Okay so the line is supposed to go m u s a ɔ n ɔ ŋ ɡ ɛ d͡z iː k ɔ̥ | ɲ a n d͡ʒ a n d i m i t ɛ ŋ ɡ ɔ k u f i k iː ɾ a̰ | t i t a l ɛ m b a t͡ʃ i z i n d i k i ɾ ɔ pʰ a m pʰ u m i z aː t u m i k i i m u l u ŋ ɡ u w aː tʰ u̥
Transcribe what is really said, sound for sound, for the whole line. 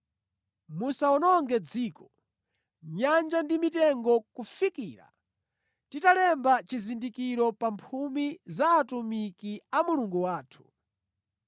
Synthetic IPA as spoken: m u s a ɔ n ɔ ŋ ɡ ɛ d͡z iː k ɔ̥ | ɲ a n d͡ʒ a n d i m i t ɛ ŋ ɡ ɔ k u f i k iː ɾ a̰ | t i t a l ɛ m b a t͡ʃ i z i n d i k i ɾ ɔ p a m pʰ u m i z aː t u m i k i a m u l u ŋ ɡ u w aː tʰ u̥